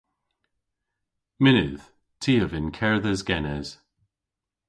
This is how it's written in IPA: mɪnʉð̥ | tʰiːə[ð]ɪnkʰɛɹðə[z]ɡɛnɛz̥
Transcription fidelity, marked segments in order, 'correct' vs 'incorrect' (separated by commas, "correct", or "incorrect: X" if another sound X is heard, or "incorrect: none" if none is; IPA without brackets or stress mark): incorrect: v, correct